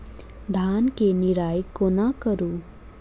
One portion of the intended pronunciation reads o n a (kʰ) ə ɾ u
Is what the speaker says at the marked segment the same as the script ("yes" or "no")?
no